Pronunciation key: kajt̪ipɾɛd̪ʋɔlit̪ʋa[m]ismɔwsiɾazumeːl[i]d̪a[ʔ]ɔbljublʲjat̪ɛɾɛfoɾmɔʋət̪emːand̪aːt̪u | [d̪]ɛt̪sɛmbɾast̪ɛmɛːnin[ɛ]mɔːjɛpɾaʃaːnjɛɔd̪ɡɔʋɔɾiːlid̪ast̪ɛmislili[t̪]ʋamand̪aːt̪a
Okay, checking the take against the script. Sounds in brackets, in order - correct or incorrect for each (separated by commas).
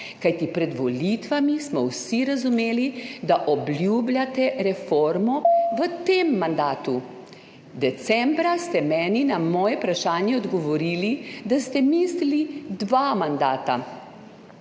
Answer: correct, correct, correct, correct, incorrect, incorrect